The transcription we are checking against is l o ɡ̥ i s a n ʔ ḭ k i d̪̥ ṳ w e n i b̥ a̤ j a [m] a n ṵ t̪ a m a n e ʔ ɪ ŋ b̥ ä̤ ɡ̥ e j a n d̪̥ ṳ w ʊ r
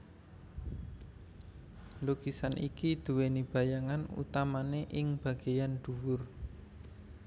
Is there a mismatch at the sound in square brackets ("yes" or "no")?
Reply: yes